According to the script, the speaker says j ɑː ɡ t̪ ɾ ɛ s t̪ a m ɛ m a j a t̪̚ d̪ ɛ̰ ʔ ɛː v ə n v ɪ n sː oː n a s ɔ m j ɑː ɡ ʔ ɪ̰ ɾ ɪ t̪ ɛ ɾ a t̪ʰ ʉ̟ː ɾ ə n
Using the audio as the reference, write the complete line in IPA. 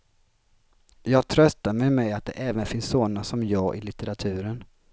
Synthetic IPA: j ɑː ɡ t̪ʰ ɾ œ s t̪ a m ɛ m ɛ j a t̪̚ d̪ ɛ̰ ʔ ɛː v ə n f ɪ n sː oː n a s ɔ m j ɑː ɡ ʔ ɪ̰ l ɪ t̪ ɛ ɾ a t̪ʰ ʉ̟ː ɾ ə n